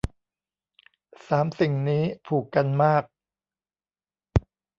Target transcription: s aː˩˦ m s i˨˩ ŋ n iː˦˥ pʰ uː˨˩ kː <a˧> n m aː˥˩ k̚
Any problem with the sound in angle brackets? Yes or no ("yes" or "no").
no